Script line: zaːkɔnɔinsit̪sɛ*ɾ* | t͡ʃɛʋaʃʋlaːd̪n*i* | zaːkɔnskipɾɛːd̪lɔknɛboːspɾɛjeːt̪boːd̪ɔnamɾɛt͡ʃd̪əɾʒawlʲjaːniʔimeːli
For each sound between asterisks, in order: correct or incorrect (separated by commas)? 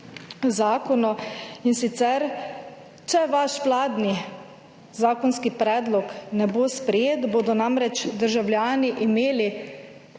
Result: correct, correct